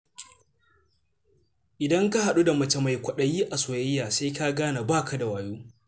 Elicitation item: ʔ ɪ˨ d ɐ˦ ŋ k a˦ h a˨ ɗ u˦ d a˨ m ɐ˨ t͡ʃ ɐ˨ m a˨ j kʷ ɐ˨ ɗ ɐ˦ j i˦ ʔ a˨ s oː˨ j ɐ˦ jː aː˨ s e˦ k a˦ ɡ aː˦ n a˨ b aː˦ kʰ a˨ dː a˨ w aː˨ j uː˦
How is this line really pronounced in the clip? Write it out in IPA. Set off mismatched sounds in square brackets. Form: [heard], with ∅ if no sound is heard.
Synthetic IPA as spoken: ʔ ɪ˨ d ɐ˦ ŋ k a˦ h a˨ ɗ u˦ d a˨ m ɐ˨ t͡ʃ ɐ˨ m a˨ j kʷ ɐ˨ ɗ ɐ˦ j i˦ ʔ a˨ s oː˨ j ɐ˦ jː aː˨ s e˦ k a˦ ɡ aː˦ n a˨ b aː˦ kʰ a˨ [d] a˨ w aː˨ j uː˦

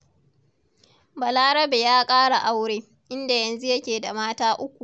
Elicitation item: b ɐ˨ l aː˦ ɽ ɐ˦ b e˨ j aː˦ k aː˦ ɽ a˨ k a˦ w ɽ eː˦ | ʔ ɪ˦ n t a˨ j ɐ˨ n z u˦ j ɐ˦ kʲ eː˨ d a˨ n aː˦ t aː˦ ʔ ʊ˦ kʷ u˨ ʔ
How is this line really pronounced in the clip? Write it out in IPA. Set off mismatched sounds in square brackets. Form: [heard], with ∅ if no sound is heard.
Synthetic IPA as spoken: b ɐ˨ l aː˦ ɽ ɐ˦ b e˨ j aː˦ [kʼ] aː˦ ɽ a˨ [ʔ] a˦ w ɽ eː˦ | ʔ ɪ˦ n [d] a˨ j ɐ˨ n z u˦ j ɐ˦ kʲ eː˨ d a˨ [m] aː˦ t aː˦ ʔ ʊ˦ kʷ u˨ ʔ

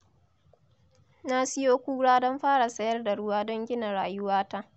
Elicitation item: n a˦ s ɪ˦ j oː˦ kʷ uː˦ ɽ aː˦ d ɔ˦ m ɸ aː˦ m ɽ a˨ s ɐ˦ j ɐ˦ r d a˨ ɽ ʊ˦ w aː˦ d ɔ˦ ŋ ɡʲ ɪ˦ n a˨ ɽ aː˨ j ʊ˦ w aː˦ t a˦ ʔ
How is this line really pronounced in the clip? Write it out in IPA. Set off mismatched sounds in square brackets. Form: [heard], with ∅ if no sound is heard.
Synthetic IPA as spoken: n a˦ s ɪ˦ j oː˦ kʷ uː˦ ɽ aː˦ d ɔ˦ m ɸ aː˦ [∅] ɽ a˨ s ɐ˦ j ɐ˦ r d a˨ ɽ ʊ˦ w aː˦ d ɔ˦ ŋ ɡʲ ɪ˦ n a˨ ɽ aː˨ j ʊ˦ w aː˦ t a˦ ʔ

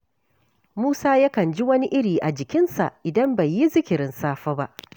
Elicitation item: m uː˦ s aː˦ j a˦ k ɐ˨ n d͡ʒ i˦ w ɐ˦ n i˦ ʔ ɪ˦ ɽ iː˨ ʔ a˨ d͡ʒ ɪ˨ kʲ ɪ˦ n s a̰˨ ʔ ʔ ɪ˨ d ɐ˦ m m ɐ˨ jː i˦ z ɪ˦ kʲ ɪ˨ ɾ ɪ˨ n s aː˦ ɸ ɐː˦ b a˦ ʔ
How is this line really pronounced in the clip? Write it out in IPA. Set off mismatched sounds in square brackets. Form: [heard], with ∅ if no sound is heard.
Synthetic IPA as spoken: m uː˦ s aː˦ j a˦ k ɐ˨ n d͡ʒ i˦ w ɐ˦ n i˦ ʔ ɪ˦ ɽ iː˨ ʔ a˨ d͡ʒ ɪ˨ kʲ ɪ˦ n s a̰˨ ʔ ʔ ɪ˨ d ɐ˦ m [b] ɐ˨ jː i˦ z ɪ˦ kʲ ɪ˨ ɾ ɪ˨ n s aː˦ ɸ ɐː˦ b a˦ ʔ

